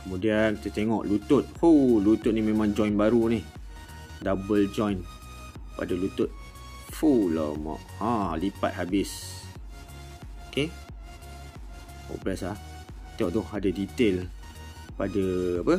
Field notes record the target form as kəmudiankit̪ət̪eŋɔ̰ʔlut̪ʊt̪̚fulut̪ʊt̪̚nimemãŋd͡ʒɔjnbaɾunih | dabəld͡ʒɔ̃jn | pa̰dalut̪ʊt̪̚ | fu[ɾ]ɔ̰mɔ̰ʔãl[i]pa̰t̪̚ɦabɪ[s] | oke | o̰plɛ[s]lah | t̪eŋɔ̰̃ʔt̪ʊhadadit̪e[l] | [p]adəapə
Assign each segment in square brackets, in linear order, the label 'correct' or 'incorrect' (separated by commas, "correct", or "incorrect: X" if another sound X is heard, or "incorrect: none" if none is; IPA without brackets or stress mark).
incorrect: l, correct, correct, correct, correct, correct